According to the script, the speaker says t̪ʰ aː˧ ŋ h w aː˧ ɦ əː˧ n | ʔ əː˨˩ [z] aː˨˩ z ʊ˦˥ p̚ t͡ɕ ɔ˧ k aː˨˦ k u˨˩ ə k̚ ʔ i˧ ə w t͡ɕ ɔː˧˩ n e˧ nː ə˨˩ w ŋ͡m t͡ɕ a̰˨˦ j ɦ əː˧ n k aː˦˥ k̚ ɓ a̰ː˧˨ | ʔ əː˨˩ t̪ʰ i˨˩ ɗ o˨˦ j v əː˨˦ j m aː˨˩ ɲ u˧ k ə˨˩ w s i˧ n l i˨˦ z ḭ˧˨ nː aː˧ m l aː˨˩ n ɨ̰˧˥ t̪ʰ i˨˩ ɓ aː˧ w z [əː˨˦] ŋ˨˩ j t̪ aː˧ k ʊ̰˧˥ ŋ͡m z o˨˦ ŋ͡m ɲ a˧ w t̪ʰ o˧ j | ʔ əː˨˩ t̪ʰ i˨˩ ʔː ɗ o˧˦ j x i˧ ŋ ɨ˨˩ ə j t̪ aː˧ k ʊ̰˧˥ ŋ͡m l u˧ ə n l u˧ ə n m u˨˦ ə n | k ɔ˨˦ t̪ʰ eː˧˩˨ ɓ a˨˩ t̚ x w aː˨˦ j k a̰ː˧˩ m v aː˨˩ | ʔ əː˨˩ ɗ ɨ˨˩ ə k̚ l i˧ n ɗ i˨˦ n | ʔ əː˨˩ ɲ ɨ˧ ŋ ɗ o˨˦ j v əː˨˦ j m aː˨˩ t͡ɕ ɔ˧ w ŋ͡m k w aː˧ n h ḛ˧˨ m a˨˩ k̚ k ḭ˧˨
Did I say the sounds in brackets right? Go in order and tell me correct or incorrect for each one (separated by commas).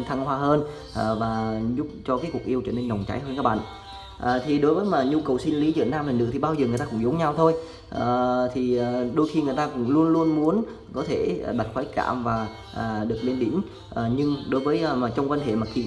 incorrect, incorrect